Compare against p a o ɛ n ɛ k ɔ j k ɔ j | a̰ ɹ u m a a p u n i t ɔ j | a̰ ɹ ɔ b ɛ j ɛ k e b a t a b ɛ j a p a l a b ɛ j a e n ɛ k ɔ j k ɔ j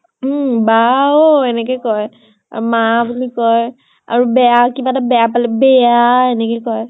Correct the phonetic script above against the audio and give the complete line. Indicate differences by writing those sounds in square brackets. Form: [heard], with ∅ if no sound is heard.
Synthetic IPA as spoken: [b] a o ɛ n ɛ k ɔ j k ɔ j | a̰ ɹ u m a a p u n i [k] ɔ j | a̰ ɹ [u] b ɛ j [a] k [i] b a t a b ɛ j a p a l [ɛ] b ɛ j a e n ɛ k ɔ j k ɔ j